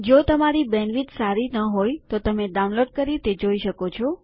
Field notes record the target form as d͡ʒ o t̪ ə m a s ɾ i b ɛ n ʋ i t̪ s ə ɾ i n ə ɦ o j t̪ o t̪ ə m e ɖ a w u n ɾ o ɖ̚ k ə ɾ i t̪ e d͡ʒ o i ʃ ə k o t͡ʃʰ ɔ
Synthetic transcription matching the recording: d͡ʒ o t̪ ə m a ɾ i b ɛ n ʋ i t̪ s a ɾ i n ə ɦ o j t̪ o t̪ ə m e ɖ a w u n l o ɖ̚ k ə ɾ i t̪ e d͡ʒ o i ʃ ə k o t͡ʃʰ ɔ